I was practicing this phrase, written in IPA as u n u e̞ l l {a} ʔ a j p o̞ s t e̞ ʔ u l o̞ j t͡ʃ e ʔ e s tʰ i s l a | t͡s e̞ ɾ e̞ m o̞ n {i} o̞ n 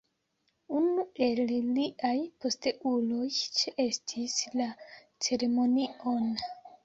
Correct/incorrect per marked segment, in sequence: incorrect, correct

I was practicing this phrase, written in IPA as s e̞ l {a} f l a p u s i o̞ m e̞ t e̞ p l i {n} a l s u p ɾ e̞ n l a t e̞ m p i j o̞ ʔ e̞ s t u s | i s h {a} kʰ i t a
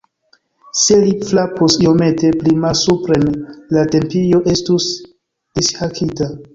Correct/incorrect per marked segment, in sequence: incorrect, incorrect, correct

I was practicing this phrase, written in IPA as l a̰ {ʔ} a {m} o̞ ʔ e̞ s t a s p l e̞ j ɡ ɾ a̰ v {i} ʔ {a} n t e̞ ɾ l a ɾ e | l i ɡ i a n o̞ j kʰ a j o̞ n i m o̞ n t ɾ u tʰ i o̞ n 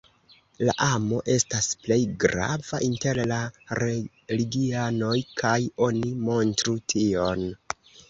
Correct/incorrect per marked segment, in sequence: correct, correct, incorrect, incorrect

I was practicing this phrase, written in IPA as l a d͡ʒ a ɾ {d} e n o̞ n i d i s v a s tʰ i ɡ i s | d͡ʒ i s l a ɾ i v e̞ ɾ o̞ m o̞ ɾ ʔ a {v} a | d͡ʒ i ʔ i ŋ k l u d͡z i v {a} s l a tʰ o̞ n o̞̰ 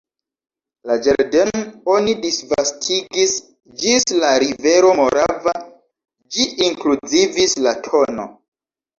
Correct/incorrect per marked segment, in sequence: correct, correct, incorrect

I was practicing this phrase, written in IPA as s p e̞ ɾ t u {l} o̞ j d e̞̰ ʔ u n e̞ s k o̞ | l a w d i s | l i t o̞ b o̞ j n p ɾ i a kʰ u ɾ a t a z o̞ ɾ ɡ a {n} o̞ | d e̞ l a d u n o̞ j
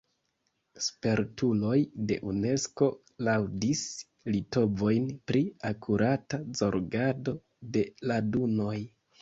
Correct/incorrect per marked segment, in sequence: correct, incorrect

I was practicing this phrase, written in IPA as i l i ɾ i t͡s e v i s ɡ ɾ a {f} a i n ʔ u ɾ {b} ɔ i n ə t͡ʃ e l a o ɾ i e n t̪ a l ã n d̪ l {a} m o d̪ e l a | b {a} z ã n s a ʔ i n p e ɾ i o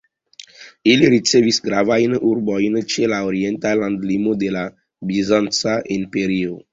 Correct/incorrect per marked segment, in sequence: incorrect, correct, incorrect, incorrect

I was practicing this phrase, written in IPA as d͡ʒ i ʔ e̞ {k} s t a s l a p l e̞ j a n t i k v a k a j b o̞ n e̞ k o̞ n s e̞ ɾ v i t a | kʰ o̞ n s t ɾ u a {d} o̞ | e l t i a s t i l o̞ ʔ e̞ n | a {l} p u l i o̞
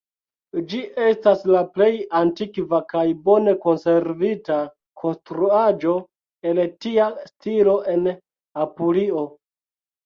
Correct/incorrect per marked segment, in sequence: incorrect, incorrect, incorrect

